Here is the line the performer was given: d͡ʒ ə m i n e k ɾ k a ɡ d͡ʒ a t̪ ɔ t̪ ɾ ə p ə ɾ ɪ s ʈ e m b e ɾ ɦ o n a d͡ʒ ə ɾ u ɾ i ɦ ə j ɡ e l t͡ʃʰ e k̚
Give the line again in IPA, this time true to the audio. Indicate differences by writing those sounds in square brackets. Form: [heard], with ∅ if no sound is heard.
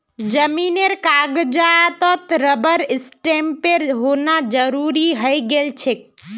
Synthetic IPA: d͡ʒ ə m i n e [∅] ɾ k a ɡ d͡ʒ a t̪ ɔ t̪ ɾ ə [b] ə ɾ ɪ s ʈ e m [p] e ɾ ɦ o n a d͡ʒ ə ɾ u ɾ i ɦ ə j ɡ e l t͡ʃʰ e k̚